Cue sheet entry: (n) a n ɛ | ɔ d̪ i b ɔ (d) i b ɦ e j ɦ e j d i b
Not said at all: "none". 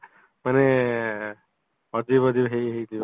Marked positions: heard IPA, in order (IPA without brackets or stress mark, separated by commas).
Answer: m, d